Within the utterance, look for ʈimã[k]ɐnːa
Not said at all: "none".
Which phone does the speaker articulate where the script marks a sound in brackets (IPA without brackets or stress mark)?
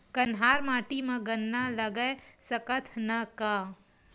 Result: ɡ